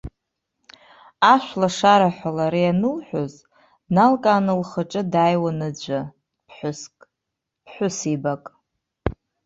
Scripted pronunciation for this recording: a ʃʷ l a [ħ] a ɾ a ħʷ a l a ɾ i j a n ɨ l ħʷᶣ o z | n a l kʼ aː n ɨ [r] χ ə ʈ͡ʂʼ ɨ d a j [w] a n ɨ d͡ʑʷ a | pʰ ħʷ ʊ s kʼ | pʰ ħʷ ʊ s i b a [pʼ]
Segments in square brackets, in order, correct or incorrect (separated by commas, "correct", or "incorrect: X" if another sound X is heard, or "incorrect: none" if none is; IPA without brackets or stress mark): incorrect: ʂ, incorrect: l, correct, incorrect: kʼ